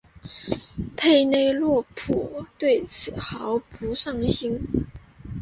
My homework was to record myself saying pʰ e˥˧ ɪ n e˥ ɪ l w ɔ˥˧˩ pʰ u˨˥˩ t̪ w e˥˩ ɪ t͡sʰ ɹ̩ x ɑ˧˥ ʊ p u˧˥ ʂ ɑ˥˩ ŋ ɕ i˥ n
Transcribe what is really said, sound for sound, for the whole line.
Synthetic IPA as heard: pʰ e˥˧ ɪ n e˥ ɪ l w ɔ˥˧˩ pʰ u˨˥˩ t̪ w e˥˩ ɪ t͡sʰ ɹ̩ x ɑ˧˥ ʊ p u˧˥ ʂ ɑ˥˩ ŋ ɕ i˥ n